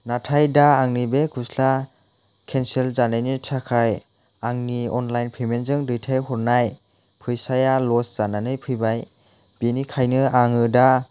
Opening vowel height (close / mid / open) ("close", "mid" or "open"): open